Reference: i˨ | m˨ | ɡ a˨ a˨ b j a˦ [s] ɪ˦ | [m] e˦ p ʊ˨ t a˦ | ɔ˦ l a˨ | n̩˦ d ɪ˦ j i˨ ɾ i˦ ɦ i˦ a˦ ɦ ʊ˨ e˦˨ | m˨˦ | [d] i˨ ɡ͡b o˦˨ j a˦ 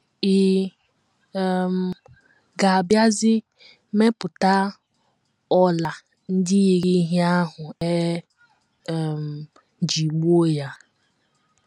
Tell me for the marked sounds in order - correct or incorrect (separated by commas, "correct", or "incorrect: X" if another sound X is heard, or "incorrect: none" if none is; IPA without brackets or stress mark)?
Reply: incorrect: z, correct, incorrect: d͡ʒ